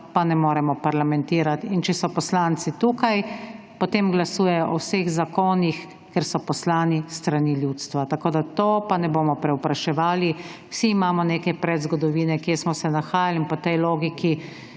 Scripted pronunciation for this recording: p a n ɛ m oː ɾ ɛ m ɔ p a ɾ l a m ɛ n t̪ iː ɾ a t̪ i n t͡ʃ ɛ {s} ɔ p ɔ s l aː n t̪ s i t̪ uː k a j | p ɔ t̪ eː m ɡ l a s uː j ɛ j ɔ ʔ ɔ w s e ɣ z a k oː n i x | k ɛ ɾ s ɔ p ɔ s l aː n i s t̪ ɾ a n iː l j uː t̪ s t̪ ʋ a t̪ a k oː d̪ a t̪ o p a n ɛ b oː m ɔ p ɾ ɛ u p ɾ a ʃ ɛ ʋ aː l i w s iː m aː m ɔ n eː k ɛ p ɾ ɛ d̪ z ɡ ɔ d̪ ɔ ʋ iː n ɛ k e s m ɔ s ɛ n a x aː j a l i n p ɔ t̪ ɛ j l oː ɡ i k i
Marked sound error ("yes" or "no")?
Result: no